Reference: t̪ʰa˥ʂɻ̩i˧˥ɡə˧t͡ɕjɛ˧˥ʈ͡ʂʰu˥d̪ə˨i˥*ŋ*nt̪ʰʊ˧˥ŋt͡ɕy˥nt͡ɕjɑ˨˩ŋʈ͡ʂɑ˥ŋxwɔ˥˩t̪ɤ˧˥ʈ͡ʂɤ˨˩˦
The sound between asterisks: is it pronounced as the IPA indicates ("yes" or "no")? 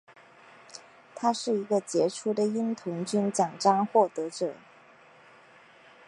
no